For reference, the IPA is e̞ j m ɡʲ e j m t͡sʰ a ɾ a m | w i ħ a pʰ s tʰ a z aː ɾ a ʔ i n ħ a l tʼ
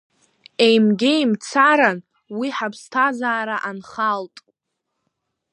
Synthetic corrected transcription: e̞ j m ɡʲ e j m t͡sʰ a ɾ a n | w i ħ a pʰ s tʰ a z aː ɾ a ʔ a n χ a l tʼ